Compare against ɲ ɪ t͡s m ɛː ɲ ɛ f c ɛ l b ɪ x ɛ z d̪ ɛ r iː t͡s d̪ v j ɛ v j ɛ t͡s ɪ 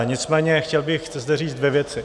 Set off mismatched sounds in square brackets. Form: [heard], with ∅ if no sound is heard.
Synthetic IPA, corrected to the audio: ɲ ɪ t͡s m ɛː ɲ ɛ [x] c ɛ l b ɪ x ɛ z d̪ ɛ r iː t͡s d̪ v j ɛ v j ɛ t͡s ɪ